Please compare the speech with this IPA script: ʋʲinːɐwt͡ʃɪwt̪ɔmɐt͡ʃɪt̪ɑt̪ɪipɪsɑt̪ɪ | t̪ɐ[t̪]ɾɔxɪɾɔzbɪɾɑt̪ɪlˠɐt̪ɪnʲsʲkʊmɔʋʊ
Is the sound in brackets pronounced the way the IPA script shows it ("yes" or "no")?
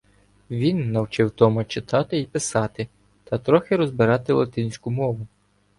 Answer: yes